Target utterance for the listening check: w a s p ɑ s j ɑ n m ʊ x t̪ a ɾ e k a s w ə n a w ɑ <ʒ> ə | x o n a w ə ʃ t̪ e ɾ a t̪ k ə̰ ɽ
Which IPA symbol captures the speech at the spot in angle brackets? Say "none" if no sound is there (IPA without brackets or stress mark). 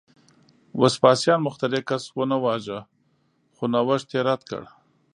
ʒ